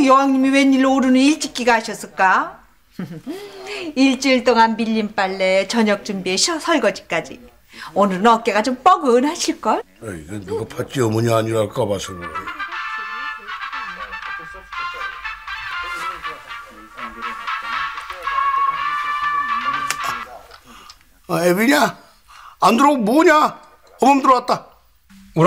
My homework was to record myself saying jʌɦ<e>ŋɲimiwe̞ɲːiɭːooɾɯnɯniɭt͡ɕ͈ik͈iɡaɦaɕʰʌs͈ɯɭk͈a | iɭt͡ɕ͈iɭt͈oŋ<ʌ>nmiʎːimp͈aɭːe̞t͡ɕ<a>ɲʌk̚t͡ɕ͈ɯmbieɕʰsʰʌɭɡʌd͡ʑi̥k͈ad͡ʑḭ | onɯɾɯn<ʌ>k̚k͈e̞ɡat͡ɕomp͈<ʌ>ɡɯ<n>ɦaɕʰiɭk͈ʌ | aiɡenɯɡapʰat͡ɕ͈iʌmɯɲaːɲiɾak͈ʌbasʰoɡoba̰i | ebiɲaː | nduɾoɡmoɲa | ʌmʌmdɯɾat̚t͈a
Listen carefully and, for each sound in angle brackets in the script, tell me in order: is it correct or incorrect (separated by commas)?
incorrect, incorrect, incorrect, correct, correct, correct